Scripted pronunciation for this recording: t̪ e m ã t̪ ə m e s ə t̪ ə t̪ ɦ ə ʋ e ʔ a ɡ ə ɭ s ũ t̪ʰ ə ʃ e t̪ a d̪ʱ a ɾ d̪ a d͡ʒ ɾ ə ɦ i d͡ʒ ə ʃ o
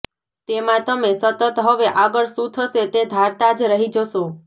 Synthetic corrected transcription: t̪ e m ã t̪ ə m e s ə t̪ ə t̪ ɦ ə ʋ e ʔ a ɡ ə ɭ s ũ t̪ʰ ə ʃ e t̪ e d̪ʱ a ɾ t̪ a d͡ʒ ɾ ə ɦ i d͡ʒ ə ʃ o